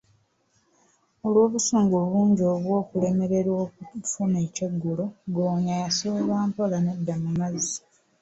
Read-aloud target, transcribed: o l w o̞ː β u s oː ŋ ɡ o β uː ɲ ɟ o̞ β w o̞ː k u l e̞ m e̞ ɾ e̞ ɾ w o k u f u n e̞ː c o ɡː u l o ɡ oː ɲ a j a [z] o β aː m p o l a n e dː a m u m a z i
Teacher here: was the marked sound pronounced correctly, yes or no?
no